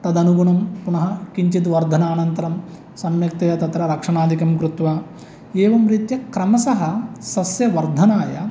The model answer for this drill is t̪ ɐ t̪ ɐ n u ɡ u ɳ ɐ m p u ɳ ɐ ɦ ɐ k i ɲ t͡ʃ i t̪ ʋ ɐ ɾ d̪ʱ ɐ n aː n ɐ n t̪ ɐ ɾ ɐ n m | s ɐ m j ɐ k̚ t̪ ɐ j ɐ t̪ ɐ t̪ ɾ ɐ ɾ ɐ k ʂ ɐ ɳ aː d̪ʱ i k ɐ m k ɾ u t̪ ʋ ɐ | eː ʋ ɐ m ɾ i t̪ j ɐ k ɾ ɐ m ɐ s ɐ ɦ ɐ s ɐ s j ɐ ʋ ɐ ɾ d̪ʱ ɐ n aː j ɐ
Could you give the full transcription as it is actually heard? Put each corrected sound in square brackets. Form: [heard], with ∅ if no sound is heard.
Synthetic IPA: t̪ ɐ [d̪] ɐ n u ɡ u ɳ ɐ m p u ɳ ɐ ɦ ɐ k i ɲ t͡ʃ i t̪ ʋ ɐ ɾ d̪ʱ ɐ n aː n ɐ n t̪ ɐ ɾ ɐ [∅] m | s ɐ m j ɐ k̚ t̪ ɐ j ɐ t̪ ɐ t̪ ɾ ɐ ɾ ɐ k ʂ ɐ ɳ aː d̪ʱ i k ɐ m k ɾ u t̪ ʋ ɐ | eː ʋ ɐ m ɾ i t̪ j ɐ k ɾ ɐ m ɐ s ɐ ɦ ɐ s ɐ s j ɐ ʋ ɐ ɾ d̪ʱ ɐ n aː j ɐ